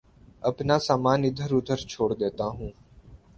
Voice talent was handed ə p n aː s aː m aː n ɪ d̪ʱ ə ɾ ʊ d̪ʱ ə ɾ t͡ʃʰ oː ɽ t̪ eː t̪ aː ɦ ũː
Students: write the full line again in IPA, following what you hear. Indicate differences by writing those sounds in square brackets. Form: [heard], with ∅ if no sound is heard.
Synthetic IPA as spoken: ə p n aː s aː m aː n ɪ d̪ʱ ə ɾ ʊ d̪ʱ ə ɾ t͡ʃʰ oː ɽ [d̪] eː t̪ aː ɦ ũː